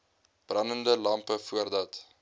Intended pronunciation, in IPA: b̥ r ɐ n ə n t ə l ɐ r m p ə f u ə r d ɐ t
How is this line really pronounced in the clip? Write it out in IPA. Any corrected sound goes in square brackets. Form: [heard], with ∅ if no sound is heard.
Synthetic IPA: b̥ r ɐ n ə n [d] ə l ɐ [∅] m p ə f u ə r d ɐ t